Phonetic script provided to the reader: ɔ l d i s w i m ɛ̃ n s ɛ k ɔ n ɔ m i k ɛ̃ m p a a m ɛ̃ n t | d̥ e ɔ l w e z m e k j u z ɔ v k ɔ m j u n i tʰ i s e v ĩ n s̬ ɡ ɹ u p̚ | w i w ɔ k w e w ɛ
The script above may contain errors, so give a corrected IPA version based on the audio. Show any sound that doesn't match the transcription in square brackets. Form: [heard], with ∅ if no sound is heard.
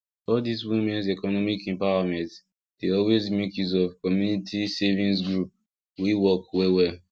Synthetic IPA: ɔ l d i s w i m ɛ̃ n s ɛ k ɔ n ɔ m i k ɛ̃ m p a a m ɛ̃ n t | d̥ e ɔ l w e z m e k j u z ɔ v k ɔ m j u n i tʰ i s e v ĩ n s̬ ɡ ɹ u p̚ | w i w ɔ k w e w ɛ